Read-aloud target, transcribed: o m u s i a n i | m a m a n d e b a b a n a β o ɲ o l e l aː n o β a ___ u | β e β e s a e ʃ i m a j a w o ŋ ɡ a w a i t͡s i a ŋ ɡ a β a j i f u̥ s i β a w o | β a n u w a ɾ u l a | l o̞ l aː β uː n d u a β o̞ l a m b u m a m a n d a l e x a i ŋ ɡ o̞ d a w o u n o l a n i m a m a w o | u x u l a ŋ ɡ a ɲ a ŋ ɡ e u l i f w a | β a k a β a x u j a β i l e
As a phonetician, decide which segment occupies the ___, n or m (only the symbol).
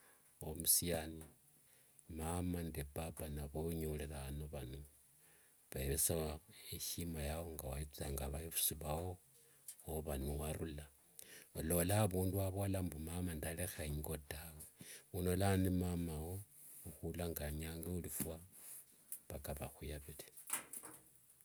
n